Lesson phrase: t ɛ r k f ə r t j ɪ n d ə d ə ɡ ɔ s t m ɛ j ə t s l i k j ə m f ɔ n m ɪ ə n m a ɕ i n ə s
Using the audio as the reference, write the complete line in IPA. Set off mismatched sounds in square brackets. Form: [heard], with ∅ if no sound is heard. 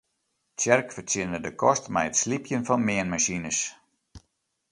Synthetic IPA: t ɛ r k f ə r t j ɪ n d ə d ə [k] ɔ s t m ɛ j ə t s l i [p] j ə [n] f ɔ n m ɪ ə n m a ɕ i n ə s